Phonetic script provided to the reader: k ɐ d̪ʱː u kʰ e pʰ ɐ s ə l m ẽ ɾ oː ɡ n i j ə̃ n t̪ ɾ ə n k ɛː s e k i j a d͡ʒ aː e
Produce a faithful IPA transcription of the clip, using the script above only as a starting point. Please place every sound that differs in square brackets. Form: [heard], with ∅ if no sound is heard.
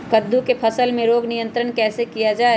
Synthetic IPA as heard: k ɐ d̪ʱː u [k] e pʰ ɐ s ə l m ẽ ɾ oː ɡ n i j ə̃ n t̪ ɾ ə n k ɛː s e k i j a d͡ʒ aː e